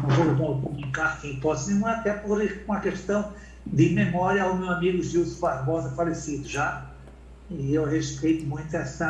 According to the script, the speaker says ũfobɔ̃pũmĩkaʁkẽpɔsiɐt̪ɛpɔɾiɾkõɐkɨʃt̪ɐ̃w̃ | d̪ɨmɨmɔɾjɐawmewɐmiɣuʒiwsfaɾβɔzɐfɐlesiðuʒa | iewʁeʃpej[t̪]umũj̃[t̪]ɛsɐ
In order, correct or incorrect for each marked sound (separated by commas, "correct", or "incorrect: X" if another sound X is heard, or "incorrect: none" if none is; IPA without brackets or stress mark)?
correct, correct